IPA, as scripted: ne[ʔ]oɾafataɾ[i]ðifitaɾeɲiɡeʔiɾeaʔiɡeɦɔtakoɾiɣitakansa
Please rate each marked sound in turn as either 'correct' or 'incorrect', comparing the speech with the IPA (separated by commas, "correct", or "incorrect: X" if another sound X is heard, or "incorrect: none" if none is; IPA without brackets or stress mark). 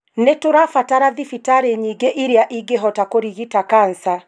incorrect: t, incorrect: a